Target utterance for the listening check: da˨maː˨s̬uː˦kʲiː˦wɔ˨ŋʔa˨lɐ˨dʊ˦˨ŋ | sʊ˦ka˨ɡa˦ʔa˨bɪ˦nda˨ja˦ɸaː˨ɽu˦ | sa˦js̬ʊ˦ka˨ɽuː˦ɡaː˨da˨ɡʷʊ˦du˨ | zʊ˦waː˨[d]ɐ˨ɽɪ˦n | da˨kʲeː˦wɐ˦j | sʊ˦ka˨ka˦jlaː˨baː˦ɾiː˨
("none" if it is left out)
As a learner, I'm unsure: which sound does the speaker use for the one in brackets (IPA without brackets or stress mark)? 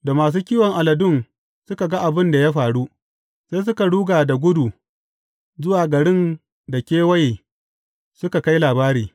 ɡ